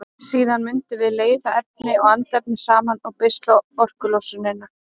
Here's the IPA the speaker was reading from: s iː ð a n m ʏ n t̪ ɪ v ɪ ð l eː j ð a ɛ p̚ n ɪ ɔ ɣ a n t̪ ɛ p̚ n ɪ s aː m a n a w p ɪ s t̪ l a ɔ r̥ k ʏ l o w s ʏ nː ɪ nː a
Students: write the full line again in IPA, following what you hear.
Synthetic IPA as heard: s iː ð a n m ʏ n t̪ ɪ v ɪ ð l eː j ð a ɛ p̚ n ɪ ɔ ɣ a n t̪ ɛ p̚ n ɪ s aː m a n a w p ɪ s t̪ l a ɔ r̥ k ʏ l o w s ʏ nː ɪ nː a